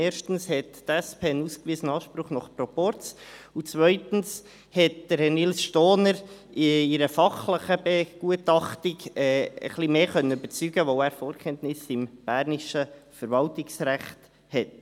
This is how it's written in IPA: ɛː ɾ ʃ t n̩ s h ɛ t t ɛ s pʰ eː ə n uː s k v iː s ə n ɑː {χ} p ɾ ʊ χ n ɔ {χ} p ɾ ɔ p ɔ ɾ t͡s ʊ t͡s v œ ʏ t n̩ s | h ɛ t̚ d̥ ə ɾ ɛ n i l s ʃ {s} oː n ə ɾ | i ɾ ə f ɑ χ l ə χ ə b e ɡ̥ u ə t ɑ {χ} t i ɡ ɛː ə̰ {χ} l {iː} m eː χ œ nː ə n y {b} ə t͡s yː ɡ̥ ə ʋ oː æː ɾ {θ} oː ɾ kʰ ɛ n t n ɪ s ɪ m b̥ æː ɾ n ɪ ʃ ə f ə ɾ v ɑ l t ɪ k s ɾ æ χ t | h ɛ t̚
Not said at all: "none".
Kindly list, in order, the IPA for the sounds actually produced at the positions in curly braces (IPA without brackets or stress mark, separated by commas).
ʃ, χ, t, χ, χ, i, b, f